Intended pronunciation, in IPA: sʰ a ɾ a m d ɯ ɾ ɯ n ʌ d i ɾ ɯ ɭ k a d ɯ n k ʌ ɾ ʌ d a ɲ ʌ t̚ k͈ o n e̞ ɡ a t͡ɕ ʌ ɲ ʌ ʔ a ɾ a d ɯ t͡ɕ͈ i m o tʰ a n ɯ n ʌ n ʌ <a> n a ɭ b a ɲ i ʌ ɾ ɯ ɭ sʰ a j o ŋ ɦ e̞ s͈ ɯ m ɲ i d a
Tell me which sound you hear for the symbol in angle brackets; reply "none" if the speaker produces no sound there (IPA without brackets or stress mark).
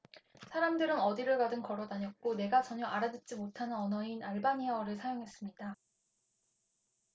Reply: i